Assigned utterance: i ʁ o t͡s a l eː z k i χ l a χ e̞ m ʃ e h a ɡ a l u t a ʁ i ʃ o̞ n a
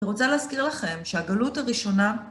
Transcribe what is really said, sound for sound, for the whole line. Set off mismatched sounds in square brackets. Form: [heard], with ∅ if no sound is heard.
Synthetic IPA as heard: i ʁ o t͡s a l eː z k i [ʁ] l a χ e̞ m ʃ e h a ɡ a l u t a ʁ i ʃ o̞ n a